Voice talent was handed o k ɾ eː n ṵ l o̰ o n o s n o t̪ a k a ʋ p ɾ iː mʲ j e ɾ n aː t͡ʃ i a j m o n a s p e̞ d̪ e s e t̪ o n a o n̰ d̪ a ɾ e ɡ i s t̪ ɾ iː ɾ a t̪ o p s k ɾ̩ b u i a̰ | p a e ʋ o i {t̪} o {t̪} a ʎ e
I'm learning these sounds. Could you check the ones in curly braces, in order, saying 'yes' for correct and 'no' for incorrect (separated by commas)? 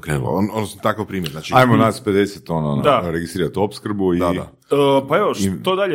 yes, no